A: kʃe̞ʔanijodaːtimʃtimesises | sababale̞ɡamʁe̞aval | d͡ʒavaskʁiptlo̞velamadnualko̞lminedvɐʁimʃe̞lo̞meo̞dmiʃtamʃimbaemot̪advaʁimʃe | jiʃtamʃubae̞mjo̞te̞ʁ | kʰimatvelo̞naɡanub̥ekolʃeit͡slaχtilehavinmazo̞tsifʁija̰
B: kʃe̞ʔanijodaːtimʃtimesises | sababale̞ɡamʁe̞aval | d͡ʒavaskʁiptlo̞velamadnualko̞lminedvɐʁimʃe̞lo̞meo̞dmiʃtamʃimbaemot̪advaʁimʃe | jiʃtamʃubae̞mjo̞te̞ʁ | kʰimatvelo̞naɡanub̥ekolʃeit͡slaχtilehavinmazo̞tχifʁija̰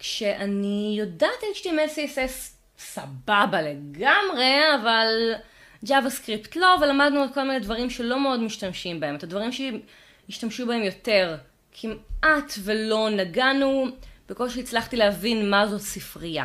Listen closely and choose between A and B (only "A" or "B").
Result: A